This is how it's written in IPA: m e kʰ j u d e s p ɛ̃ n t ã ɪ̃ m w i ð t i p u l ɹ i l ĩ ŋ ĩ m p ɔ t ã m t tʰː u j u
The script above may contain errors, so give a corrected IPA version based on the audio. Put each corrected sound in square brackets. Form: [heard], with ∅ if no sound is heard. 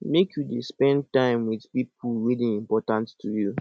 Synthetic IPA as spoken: m e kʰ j u d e s p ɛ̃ n t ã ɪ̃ m w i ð [p] i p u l ɹ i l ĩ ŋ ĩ m p ɔ t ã [n] t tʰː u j u